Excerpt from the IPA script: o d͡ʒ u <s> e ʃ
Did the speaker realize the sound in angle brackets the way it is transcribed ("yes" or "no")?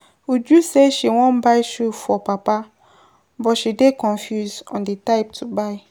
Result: yes